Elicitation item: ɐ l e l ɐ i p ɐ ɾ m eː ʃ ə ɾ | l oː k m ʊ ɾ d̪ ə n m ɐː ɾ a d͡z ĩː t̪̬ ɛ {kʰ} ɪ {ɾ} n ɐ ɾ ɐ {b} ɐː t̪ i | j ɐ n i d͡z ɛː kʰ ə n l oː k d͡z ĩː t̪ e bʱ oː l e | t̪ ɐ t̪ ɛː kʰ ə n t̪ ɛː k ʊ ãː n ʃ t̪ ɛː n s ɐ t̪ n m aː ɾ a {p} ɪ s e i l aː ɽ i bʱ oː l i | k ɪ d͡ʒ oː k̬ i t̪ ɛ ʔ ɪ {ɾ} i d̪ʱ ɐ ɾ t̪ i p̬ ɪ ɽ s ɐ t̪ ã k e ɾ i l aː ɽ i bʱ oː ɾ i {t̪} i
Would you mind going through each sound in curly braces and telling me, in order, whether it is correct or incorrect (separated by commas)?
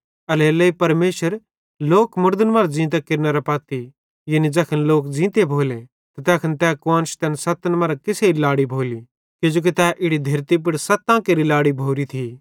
incorrect, correct, incorrect, incorrect, incorrect, incorrect